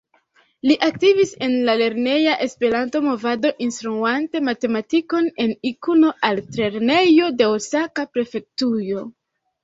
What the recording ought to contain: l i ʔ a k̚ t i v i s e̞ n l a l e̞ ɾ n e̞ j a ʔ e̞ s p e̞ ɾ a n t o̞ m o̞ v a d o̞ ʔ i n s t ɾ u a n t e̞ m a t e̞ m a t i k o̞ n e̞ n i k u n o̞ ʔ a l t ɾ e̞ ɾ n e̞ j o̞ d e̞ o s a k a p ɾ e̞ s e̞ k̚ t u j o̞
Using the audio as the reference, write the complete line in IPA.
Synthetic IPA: l i ʔ a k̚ t i v i s e̞ n l a l e̞ ɾ n e̞ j a ʔ e̞ s p e̞ ɾ a n t o̞ m o̞ v a d o̞ ʔ i n s t ɾ u a n t e̞ m a t e̞ m a t i k o̞ n e̞ n i k u n o̞ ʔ a l t ɾ e̞ ɾ n e̞ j o̞ d e̞ o s a k a p ɾ e̞ f e̞ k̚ t u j o̞